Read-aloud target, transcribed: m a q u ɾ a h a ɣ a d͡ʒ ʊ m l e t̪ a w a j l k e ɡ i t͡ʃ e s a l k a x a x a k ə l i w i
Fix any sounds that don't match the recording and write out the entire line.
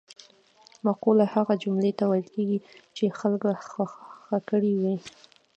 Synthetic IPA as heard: m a q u l a h a ɣ a d͡ʒ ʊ m l e t̪ a w a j l k e ɡ i t͡ʃ e x a l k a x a x a k ə ɽ i w i